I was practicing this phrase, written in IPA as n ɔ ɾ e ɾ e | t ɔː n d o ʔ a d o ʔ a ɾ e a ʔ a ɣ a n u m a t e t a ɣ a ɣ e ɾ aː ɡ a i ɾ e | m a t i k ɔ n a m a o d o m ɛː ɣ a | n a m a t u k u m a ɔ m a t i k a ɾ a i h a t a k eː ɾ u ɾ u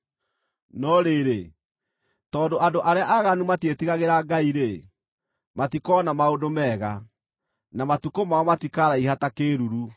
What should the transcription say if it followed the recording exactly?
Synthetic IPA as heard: n ɔ ɾ e ɾ e | t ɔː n d o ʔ a d o ʔ a ɾ e a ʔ a ɣ a n u m a t e t i ɣ a ɣ e ɾ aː ɡ a i ɾ e | m a t i k ɔ n a m a o d o m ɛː ɣ a | n a m a t u k o m a ɔ m a t i k a ɾ a i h a t a k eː ɾ u ɾ u